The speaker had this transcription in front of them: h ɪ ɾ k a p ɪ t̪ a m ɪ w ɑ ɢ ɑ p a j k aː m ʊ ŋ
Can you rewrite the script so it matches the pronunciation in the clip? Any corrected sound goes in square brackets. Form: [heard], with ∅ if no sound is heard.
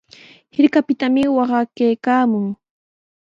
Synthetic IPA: h ɪ ɾ k a p ɪ t̪ a m ɪ w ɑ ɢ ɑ [k] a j k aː m ʊ ŋ